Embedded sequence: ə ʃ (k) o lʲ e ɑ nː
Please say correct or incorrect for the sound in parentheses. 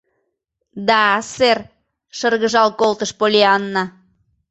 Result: incorrect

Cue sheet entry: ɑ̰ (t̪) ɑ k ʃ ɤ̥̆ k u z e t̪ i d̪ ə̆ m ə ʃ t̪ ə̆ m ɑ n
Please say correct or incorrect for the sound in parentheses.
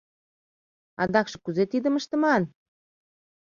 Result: incorrect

